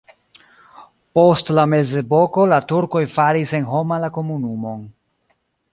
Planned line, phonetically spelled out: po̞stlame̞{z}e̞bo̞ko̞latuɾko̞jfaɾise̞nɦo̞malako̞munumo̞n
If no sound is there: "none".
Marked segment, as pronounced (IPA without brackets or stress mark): z